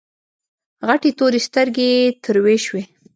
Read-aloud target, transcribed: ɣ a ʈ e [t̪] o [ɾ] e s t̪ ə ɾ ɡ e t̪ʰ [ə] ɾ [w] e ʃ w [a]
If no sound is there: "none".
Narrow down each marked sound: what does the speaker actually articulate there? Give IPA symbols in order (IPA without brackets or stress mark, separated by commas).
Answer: t̪, ɾ, ə, w, e